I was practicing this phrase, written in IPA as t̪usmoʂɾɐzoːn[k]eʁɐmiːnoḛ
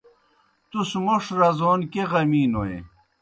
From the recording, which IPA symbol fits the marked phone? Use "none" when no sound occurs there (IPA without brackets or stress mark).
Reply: k